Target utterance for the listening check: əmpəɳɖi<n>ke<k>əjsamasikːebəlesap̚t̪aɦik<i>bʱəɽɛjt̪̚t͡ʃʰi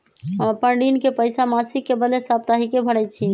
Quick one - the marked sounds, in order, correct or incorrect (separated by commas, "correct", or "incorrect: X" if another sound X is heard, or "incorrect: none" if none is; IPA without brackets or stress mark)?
correct, incorrect: p, incorrect: e